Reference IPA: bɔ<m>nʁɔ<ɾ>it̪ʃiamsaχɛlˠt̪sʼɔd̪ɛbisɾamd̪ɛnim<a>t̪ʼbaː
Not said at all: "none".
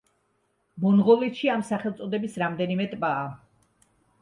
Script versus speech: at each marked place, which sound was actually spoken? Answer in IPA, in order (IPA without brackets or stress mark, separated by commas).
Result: none, l, ɛ